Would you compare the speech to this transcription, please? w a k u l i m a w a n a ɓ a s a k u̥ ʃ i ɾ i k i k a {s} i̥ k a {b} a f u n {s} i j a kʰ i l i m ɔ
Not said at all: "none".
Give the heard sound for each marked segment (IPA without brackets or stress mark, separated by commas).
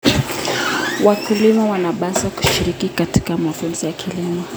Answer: t, m, z